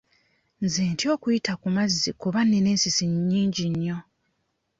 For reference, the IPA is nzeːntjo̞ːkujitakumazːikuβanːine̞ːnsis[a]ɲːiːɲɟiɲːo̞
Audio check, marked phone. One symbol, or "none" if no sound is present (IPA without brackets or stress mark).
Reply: i